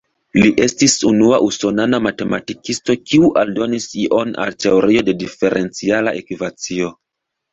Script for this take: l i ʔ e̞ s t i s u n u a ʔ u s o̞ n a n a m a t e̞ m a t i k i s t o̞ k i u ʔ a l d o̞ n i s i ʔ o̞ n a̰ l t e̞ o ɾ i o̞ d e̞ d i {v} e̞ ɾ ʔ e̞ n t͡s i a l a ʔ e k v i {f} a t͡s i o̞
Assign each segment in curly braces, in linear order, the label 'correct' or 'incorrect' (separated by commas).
incorrect, incorrect